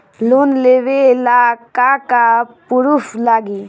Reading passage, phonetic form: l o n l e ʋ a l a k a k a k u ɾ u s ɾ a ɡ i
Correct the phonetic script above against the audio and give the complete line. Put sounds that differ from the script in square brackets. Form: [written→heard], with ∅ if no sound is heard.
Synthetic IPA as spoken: l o n l e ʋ [a→e] l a k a k a [k→p] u ɾ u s [ɾ→l] a ɡ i